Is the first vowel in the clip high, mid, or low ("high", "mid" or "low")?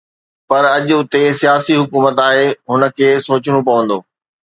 low